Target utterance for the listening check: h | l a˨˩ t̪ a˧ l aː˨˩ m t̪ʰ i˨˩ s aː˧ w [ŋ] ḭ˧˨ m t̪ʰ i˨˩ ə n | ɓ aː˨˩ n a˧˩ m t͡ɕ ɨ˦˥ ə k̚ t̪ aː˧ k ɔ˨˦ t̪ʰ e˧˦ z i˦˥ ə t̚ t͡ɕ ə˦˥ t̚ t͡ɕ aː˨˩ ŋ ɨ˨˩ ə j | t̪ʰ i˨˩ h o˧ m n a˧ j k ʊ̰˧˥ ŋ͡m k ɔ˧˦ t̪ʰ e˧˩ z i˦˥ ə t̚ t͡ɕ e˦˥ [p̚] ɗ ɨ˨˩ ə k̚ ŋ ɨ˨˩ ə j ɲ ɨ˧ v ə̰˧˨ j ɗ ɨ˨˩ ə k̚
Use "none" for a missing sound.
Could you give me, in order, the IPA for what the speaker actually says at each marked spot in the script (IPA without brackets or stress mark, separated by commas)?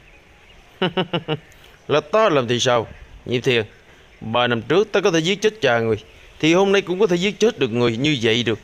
ɲ, t̚